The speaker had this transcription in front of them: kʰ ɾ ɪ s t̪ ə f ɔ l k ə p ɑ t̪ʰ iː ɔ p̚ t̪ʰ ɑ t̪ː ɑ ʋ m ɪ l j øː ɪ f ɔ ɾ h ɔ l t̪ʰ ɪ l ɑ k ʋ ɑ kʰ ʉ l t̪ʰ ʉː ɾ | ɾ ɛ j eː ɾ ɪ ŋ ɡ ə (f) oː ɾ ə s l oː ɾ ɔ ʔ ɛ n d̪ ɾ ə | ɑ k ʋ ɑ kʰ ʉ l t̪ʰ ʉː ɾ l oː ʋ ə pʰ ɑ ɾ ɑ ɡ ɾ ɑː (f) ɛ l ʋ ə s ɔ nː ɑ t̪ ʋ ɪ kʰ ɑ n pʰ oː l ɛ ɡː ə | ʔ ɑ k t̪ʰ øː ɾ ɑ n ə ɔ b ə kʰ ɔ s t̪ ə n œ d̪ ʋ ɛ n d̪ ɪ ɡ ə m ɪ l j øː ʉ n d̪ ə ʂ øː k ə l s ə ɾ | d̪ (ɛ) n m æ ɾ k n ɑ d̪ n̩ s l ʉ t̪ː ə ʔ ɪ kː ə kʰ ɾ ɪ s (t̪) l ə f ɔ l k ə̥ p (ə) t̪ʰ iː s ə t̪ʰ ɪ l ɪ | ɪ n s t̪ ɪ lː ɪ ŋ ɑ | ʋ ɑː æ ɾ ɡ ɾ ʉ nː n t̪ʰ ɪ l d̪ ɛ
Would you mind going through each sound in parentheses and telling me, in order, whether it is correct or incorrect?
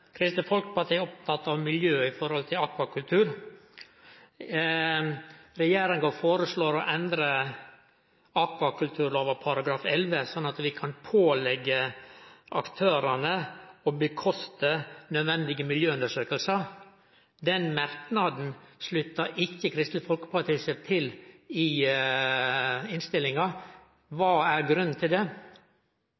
correct, correct, correct, correct, incorrect: ɑ

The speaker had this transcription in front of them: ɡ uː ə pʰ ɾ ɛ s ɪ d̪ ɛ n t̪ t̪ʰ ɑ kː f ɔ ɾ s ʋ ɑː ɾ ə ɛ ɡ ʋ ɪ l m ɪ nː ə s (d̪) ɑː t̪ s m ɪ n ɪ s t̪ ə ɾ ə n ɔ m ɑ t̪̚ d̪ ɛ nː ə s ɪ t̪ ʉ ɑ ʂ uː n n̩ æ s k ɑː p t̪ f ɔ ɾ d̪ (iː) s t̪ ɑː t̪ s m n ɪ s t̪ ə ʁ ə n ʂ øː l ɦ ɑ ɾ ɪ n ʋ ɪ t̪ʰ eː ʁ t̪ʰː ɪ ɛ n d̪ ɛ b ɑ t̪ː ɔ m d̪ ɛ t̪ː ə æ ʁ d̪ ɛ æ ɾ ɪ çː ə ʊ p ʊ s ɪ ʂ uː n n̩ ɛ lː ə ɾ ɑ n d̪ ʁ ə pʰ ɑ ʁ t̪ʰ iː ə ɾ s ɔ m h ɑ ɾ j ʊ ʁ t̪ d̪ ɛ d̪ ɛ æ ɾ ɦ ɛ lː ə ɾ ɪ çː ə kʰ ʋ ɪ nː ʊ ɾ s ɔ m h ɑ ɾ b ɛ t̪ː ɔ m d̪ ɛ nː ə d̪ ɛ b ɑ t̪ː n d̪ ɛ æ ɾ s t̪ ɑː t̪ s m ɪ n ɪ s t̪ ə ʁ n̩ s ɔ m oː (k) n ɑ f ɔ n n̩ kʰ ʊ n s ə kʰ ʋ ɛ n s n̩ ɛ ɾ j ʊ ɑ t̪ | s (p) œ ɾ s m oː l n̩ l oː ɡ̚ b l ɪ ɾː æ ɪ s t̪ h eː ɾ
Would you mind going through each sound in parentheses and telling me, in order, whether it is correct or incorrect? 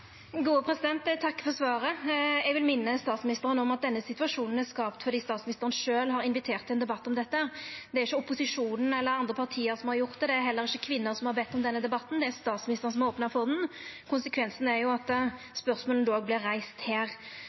incorrect: t̪, correct, incorrect: p, correct

